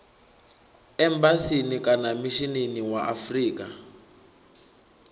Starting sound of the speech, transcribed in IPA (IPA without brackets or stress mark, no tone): ɛ